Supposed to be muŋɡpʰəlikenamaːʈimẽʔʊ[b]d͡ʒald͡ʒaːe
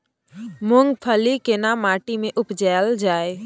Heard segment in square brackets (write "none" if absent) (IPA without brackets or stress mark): p